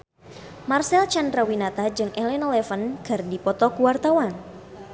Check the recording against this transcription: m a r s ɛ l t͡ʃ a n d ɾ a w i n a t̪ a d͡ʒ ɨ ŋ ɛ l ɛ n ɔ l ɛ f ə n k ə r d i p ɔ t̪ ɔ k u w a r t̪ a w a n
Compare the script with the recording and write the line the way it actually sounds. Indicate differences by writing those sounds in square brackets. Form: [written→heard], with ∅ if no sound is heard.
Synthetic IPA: m a r s ɛ l t͡ʃ a n d ɾ a w i n a t̪ a d͡ʒ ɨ ŋ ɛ l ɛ n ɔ l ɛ f ə n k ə r d i p ɔ t̪ ɔ k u w a r t̪ a w a n